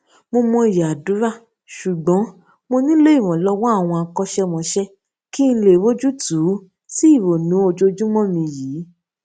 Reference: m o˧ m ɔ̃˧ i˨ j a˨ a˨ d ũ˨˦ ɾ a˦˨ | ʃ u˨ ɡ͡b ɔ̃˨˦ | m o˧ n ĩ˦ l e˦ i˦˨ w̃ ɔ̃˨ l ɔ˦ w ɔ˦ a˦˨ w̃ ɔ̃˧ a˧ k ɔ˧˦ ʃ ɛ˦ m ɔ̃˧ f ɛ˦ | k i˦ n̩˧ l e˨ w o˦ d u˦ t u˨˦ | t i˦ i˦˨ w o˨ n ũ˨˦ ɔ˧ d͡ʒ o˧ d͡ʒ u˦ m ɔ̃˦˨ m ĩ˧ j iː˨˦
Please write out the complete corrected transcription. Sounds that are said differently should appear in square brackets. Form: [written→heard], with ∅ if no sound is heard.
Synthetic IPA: m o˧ m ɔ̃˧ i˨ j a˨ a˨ d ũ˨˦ ɾ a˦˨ | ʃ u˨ ɡ͡b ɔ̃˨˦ | m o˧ n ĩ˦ l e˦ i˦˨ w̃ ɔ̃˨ l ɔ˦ w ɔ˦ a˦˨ w̃ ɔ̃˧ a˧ k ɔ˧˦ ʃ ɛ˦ m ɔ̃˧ [f→ʃ] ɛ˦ | k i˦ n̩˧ l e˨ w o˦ [d→d͡ʒ] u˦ t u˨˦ | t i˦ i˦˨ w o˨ n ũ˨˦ [ɔ˧→o˧] d͡ʒ o˧ d͡ʒ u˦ m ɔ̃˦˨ m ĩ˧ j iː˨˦